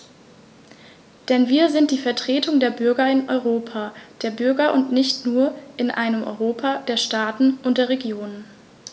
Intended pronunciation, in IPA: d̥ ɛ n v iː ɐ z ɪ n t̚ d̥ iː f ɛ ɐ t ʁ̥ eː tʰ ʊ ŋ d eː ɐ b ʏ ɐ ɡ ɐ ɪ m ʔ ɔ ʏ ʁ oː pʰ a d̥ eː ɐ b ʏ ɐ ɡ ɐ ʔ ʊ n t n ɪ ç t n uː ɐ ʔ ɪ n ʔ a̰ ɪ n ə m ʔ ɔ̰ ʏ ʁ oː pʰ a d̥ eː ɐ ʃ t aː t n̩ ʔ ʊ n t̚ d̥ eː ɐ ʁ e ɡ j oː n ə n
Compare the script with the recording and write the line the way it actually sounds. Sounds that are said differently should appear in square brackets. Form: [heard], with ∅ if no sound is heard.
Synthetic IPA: d̥ ɛ n v iː ɐ z ɪ n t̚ d̥ iː f ɛ ɐ t ʁ̥ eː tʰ ʊ ŋ d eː ɐ b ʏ ɐ ɡ ɐ ɪ [n] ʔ ɔ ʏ ʁ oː pʰ a d̥ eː ɐ b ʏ ɐ ɡ ɐ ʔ ʊ n t n ɪ ç t n uː ɐ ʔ ɪ n ʔ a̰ ɪ n ə m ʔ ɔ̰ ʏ ʁ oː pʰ a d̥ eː ɐ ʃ t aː t n̩ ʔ ʊ n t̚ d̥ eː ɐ ʁ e ɡ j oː n ə n